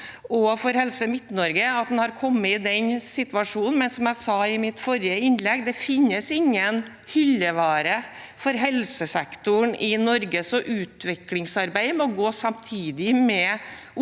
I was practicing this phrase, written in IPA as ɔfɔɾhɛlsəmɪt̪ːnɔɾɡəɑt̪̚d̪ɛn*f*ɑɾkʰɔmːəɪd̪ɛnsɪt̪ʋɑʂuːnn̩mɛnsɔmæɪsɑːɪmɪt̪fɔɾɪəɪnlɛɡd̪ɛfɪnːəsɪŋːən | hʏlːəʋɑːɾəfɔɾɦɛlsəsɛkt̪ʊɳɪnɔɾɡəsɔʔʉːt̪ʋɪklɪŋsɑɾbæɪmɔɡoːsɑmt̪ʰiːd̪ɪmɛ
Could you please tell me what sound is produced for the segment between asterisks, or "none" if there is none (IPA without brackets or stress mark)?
h